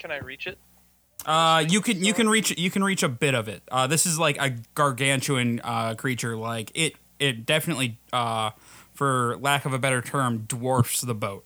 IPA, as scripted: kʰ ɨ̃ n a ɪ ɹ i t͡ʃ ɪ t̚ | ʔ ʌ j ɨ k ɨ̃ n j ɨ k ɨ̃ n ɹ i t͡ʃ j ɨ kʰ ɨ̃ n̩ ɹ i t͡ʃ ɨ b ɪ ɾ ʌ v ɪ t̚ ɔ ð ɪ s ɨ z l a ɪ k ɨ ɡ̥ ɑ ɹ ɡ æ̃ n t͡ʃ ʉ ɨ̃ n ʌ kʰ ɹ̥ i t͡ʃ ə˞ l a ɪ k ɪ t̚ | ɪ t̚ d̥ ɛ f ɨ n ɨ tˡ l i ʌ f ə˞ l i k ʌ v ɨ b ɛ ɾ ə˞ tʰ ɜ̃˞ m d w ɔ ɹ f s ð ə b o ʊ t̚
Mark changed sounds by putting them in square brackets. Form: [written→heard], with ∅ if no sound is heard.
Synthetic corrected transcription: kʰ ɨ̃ n a ɪ ɹ i t͡ʃ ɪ t̚ | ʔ ʌ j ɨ k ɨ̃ n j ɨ k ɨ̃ n ɹ i t͡ʃ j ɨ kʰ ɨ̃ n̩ ɹ i t͡ʃ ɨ b ɪ ɾ ʌ v ɪ t̚ [ɔ→ʌ] ð ɪ s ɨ z l a ɪ k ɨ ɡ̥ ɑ ɹ ɡ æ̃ n t͡ʃ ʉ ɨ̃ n ʌ kʰ ɹ̥ i t͡ʃ ə˞ l a ɪ k ɪ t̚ | ɪ t̚ d̥ ɛ f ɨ n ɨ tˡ l i ʌ f ə˞ l [i→æ] k ʌ v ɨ b ɛ ɾ ə˞ tʰ ɜ̃˞ m d w ɔ ɹ f s ð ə b o ʊ t̚